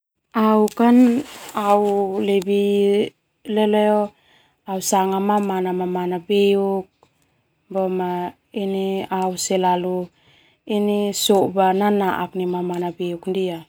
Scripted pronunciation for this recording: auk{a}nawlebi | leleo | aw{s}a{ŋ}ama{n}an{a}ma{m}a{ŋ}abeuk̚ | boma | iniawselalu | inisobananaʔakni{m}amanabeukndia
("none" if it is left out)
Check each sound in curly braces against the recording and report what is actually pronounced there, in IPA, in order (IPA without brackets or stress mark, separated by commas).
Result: a, s, ŋ, m, a, m, n, m